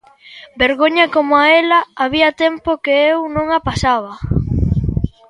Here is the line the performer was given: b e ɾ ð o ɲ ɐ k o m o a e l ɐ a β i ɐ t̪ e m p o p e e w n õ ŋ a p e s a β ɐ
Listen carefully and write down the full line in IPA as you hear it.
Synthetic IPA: b e ɾ ɣ o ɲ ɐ k o m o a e l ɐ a β i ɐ t̪ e m p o k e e w n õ ŋ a p a s a β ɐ